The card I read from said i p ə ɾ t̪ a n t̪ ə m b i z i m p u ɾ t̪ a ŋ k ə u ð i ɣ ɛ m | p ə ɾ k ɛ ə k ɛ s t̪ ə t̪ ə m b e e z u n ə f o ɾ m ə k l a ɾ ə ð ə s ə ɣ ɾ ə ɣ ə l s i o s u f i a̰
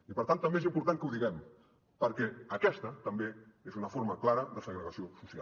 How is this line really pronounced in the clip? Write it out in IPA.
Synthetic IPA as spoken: i p ə ɾ t̪ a n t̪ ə m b e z i m p u ɾ t̪ a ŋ k ə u ð i ɣ ɛ m | p ə ɾ k ɛ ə k ɛ s t̪ ə t̪ ə m b e e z u n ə f o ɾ m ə k l a ɾ ə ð ə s ə ɣ ɾ ə ɣ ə s i o s u s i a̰

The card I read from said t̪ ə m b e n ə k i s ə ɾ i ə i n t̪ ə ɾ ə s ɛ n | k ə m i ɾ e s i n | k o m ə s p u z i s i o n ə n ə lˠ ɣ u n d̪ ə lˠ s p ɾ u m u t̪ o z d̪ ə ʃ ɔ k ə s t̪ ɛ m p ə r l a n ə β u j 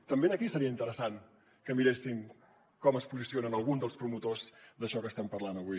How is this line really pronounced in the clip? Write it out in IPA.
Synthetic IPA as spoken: t̪ ə m b e n ə k i s ə ɾ i ə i n t̪ ə ɾ ə s a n | k ə m i ɾ e s i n | k ɔ m ə s p u z i s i o n ə n ə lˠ ɣ u n d̪ ə lˠ s p ɾ u m u t̪ o z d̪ ə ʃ ɔ k ə s t̪ ɛ m p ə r l a n ə β u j

